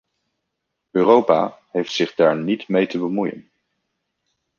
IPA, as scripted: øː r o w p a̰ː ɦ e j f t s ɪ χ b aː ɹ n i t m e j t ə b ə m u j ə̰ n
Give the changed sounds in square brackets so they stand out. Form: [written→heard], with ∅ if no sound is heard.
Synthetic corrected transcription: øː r o w p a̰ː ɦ e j f t s ɪ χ [b→d] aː ɹ n i t m e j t ə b ə m u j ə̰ n